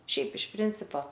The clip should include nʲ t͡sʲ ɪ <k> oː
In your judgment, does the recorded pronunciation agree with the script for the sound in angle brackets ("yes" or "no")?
no